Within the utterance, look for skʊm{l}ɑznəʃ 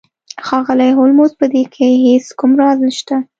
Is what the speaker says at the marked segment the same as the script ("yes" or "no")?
no